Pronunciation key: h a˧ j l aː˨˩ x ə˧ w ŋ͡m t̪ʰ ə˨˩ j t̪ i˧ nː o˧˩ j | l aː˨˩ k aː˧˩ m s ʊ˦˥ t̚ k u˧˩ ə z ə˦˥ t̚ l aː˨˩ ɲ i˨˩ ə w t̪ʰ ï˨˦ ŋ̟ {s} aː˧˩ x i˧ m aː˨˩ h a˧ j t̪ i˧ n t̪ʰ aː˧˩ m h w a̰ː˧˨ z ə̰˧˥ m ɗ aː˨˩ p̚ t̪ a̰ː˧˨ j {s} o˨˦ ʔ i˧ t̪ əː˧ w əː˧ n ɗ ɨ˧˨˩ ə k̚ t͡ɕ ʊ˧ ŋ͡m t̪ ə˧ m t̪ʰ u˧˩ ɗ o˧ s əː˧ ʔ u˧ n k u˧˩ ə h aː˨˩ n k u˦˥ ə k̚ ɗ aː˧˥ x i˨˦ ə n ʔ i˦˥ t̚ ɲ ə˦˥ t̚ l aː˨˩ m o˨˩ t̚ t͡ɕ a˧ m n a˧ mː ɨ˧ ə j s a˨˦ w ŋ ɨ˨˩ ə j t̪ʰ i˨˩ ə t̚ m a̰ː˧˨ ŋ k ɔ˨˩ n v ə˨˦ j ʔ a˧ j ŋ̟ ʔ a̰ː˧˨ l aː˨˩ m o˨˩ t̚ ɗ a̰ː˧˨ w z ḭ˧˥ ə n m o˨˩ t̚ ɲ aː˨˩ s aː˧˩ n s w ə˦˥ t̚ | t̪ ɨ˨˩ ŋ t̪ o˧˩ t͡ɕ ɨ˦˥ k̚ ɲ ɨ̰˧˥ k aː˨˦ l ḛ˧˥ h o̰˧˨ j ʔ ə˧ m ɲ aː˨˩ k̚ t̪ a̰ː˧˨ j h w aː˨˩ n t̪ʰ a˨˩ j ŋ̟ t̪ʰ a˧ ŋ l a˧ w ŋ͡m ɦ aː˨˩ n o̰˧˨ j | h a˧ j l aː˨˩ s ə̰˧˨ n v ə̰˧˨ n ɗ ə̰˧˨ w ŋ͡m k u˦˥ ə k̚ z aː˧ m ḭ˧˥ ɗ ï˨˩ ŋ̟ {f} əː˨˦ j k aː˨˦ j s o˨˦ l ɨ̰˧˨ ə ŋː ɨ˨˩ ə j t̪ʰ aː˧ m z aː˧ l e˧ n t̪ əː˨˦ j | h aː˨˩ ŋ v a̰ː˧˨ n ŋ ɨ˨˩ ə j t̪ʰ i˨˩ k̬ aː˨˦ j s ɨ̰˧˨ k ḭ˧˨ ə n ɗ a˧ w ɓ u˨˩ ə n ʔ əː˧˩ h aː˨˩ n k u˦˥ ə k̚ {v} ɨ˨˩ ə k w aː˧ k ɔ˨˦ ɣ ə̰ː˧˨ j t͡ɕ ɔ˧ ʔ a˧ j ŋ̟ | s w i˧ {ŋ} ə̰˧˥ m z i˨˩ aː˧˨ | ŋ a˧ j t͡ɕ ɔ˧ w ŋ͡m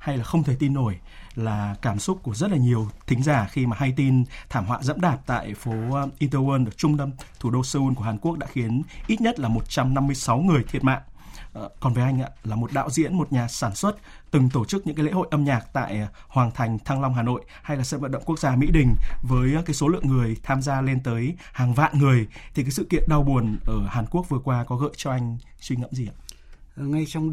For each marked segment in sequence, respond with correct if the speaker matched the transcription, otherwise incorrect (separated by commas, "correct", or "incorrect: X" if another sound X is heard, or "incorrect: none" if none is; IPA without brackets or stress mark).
incorrect: z, incorrect: f, incorrect: v, correct, correct